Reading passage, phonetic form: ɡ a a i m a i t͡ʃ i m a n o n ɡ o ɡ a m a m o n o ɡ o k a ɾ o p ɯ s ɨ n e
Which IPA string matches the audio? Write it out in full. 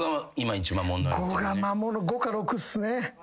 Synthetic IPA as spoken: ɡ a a i m a i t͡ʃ i m a m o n ɡ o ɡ a m a m o n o ɡ o k a ɾ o k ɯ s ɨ n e